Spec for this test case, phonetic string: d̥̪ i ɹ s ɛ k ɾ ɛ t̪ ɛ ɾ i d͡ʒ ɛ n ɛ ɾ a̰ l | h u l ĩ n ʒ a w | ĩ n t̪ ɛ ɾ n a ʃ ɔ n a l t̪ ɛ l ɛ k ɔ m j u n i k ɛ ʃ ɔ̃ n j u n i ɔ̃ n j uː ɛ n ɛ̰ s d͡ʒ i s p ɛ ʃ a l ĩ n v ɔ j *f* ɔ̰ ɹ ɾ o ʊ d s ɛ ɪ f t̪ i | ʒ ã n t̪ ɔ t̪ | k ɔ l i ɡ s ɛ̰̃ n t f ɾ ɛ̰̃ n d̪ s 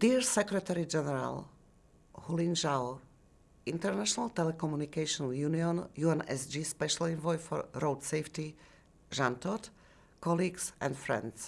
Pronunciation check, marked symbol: correct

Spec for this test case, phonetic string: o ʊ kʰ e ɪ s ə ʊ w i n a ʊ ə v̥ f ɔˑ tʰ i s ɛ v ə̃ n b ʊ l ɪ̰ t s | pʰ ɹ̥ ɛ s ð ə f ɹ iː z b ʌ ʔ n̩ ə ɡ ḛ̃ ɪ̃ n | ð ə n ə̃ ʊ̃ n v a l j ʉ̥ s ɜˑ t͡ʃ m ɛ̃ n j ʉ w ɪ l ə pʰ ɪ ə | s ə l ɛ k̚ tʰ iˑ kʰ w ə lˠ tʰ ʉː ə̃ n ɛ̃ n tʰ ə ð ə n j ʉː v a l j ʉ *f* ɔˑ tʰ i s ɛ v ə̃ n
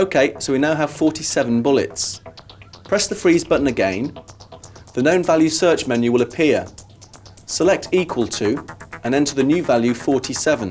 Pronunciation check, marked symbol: correct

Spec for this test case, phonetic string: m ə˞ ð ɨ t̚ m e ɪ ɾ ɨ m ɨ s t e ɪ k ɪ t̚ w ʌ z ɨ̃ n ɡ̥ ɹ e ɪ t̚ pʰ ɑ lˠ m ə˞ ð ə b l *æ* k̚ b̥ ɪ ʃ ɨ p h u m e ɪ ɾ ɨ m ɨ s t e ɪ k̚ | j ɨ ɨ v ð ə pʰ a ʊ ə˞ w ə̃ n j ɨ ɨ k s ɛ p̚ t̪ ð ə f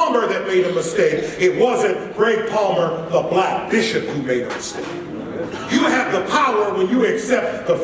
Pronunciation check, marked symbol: correct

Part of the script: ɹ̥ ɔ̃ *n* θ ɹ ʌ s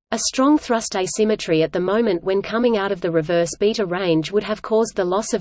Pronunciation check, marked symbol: incorrect: ŋ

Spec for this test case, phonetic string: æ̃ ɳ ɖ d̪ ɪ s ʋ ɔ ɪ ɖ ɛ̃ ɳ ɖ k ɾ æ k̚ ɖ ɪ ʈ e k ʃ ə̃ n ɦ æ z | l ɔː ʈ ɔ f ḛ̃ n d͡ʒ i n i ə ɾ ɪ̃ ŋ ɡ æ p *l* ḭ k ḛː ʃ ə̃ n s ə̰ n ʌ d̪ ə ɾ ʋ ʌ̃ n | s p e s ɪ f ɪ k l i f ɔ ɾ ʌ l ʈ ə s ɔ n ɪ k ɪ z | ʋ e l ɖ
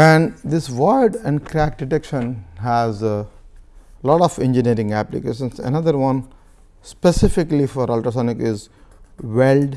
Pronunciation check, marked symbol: correct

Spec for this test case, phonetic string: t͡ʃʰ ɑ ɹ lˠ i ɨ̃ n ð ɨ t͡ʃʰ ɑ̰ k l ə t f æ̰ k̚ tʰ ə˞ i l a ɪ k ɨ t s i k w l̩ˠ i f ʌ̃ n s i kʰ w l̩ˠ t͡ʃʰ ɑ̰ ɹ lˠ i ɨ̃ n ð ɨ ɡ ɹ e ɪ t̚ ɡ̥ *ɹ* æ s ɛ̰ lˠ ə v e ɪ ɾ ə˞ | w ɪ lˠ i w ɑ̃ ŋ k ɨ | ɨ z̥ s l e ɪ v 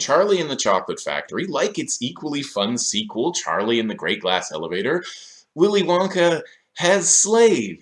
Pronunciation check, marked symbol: incorrect: l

